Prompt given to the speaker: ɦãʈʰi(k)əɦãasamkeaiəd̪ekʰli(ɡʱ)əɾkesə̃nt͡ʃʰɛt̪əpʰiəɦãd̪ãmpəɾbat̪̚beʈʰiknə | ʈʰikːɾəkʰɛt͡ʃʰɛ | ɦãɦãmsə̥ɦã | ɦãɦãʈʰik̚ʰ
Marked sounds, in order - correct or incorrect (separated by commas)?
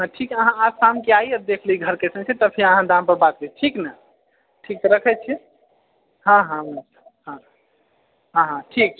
correct, correct